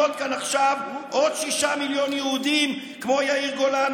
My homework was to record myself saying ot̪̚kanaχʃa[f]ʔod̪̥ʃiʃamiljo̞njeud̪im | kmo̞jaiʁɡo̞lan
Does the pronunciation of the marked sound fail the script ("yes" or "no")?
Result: yes